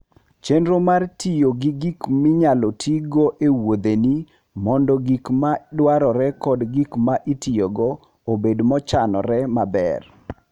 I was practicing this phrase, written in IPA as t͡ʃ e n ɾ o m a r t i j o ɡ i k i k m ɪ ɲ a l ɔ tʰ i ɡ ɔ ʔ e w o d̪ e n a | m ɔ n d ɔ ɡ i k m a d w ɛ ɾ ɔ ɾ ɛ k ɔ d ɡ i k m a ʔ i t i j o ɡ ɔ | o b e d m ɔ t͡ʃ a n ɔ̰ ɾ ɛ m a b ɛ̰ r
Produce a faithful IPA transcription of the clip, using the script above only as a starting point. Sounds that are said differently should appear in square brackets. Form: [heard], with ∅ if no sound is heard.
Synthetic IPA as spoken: t͡ʃ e n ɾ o m a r t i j o ɡ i [ɡ] i k m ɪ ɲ a l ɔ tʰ i ɡ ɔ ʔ e w o d̪ e n [i] | m ɔ n d ɔ ɡ i k m a d w [a] ɾ ɔ ɾ ɛ k ɔ d ɡ i k m a ʔ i t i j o ɡ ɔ | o b e d m ɔ t͡ʃ a n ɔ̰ ɾ ɛ m a b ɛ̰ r